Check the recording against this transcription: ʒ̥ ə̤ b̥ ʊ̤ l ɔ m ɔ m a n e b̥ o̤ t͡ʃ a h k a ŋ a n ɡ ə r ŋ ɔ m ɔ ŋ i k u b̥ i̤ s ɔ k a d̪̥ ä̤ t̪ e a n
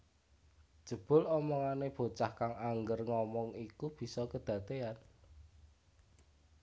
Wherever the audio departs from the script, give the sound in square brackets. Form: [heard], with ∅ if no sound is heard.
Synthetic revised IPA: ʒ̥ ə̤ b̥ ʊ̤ l ɔ m ɔ [ŋ] a n e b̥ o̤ t͡ʃ a h k a ŋ a [ŋ] ɡ ə r ŋ ɔ m ɔ ŋ i k u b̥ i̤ s ɔ k [ə] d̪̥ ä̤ t̪ e a n